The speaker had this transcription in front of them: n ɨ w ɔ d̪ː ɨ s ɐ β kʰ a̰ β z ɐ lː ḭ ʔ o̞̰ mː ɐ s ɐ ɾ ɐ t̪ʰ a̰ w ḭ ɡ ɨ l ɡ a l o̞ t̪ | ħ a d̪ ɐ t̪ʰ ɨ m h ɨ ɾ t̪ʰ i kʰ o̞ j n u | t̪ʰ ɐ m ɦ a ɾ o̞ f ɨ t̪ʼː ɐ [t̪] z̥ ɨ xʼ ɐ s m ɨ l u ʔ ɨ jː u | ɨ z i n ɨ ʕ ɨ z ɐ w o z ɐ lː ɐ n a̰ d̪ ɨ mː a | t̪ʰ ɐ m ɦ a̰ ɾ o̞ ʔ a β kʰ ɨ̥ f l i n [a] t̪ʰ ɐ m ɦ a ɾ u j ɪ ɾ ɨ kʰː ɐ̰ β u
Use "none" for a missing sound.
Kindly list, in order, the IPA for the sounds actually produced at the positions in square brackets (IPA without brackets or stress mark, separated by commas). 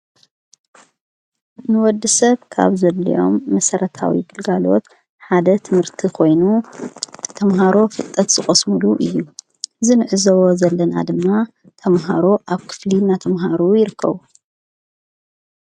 t̪, a